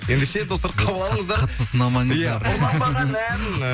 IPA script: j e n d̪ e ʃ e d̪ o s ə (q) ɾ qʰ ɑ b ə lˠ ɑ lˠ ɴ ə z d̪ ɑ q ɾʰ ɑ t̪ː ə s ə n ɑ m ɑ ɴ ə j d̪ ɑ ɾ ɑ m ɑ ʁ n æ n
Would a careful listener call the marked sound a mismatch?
yes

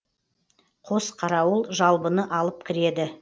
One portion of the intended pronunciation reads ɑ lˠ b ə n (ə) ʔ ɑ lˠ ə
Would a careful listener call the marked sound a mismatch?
no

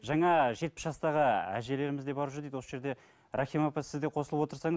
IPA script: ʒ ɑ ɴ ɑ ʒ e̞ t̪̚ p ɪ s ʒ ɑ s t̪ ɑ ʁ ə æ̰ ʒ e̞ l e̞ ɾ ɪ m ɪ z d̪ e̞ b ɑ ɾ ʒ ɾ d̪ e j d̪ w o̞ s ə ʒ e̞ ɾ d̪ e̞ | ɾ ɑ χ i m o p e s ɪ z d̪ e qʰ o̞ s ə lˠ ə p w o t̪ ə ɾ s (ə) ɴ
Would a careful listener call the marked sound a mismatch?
yes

